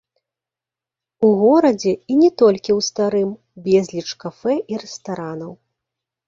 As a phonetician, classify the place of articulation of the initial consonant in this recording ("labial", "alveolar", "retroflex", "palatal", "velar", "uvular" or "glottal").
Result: velar